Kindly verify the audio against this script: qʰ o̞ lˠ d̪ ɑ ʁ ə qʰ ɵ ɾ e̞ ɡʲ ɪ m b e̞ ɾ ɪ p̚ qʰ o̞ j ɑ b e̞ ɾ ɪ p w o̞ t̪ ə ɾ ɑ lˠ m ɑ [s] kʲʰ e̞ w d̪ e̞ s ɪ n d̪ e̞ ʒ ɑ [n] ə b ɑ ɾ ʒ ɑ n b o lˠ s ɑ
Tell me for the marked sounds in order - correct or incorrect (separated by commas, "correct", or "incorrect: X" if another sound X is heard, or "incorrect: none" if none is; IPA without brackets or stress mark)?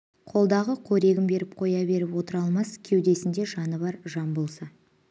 correct, correct